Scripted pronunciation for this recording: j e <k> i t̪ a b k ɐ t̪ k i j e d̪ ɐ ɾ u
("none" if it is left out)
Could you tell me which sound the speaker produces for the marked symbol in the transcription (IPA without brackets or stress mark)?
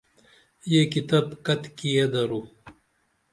k